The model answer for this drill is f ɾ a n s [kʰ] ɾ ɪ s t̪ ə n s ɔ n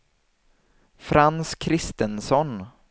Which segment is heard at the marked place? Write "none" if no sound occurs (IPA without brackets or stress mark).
kʰ